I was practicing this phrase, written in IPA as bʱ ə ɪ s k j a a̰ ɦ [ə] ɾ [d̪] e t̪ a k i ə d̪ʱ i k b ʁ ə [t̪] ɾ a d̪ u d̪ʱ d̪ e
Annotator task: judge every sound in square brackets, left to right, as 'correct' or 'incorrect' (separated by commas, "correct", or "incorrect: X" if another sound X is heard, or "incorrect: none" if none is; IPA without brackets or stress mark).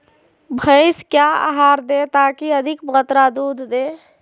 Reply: incorrect: a, correct, correct